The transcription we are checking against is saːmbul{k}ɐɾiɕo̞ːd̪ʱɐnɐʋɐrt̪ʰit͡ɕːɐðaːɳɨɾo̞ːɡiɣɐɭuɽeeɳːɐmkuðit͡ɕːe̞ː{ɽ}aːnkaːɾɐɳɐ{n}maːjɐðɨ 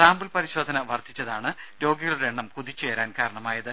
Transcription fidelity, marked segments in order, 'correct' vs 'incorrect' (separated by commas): incorrect, incorrect, incorrect